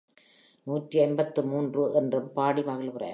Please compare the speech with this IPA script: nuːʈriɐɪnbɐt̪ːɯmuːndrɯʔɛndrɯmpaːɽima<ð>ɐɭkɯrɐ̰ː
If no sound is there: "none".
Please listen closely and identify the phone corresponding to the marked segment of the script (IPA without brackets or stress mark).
ɣ